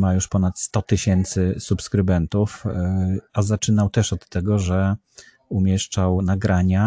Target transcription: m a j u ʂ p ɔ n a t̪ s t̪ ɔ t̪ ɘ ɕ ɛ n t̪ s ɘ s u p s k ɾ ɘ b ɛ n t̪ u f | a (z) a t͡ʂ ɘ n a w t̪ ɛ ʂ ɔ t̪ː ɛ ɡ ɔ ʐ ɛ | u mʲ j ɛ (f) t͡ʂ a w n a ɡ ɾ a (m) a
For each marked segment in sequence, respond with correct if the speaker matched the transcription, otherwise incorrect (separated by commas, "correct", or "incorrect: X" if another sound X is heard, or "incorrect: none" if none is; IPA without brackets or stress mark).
correct, incorrect: ʂ, incorrect: ɲ